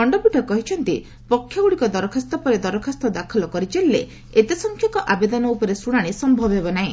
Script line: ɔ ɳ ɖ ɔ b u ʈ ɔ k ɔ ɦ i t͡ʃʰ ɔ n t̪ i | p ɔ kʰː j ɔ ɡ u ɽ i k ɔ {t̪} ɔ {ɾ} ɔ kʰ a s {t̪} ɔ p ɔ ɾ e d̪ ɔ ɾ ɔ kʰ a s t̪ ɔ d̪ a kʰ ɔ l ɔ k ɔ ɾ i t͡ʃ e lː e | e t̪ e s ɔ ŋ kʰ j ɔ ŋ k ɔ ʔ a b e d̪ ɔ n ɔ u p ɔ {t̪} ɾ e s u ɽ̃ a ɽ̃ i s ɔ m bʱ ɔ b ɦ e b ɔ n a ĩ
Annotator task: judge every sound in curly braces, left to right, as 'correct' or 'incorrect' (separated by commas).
incorrect, correct, correct, incorrect